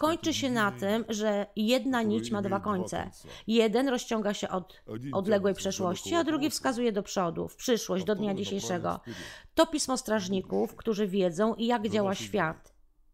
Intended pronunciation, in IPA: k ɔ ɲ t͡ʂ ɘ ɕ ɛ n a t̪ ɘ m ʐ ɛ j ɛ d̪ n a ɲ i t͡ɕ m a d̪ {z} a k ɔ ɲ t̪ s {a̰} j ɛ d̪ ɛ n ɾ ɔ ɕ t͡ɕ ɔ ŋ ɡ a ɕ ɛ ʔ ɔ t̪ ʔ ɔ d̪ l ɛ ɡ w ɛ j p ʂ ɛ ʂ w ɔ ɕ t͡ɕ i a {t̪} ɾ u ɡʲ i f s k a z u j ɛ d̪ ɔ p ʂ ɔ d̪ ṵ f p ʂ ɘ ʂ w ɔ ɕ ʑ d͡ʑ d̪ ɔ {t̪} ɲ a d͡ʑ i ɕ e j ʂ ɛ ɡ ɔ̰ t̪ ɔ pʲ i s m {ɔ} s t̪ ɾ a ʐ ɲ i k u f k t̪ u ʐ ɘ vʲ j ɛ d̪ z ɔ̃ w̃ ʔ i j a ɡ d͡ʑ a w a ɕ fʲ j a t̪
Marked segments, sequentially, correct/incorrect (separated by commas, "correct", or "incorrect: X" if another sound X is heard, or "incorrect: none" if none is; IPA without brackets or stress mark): incorrect: v, incorrect: ɛ̰, incorrect: d̪, incorrect: d̪, correct